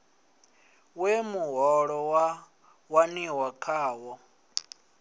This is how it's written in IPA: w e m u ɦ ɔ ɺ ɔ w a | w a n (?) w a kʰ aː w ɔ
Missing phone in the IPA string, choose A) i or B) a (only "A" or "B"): A